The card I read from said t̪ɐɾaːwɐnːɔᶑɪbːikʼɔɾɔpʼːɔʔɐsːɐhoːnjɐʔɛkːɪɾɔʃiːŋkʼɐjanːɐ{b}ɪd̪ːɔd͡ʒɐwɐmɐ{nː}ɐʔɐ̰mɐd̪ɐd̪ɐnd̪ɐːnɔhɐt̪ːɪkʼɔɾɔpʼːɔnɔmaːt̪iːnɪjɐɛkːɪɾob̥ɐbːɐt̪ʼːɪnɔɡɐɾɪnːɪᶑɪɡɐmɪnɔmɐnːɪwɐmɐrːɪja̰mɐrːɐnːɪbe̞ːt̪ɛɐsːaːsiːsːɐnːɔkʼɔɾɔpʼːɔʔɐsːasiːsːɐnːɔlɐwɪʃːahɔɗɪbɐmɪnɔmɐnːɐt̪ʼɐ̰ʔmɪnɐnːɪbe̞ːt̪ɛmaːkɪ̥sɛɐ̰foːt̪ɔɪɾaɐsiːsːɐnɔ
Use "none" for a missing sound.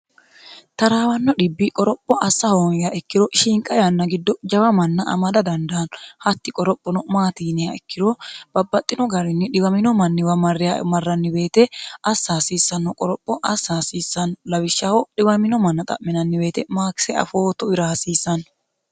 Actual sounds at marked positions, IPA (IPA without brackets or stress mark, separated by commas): ɡ, nː